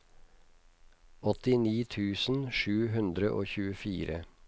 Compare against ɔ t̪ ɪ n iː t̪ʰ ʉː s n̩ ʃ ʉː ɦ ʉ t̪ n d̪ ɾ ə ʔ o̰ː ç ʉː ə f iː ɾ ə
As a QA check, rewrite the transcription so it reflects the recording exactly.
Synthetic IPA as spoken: ɔ t̪ ɪ n iː t̪ʰ ʉː s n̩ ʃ ʉː ɦ ʉ n d̪ ɾ ə ʔ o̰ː ç ʉː ə f iː ɾ ə